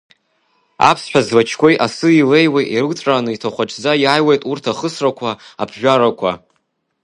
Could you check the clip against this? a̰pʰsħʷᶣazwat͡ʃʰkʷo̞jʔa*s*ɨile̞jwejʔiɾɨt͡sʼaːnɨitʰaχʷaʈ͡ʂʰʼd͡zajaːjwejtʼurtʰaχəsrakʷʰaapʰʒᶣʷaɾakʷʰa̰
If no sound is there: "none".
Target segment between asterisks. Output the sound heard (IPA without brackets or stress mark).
s